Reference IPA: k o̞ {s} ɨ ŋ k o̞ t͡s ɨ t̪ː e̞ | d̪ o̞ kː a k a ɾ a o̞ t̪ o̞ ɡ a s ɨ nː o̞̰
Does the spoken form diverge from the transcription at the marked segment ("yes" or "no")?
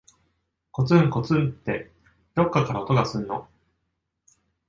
yes